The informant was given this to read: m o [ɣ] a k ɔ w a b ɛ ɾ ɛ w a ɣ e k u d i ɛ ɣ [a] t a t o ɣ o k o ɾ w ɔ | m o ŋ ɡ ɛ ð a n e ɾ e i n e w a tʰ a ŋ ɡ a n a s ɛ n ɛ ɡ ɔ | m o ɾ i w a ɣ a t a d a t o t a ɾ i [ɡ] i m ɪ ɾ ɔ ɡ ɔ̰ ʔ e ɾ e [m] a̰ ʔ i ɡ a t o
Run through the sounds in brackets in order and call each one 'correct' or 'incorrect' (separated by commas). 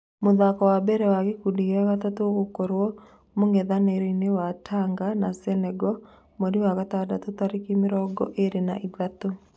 incorrect, correct, incorrect, incorrect